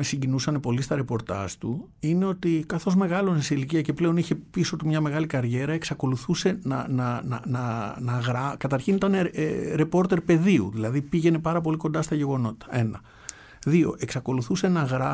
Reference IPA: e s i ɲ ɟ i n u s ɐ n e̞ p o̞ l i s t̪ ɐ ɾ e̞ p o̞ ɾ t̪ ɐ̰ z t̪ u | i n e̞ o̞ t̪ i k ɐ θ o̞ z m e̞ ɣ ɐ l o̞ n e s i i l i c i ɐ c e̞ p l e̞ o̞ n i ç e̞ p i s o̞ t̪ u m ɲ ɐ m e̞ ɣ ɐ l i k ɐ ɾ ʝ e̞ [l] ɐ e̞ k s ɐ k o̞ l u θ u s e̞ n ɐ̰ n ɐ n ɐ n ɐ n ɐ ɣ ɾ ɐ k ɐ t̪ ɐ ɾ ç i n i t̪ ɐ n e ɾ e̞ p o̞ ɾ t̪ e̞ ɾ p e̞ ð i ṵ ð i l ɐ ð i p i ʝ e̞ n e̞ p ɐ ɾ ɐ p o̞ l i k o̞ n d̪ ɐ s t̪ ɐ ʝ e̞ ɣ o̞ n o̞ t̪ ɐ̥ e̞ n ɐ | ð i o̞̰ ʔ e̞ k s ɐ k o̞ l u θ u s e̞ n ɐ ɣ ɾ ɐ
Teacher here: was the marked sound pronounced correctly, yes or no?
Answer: no